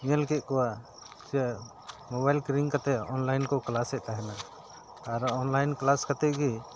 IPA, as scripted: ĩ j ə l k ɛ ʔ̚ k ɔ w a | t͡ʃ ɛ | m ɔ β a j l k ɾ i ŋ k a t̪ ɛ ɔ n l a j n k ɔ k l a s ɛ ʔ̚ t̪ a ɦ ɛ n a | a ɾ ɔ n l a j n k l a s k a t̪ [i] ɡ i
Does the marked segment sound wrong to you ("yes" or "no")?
yes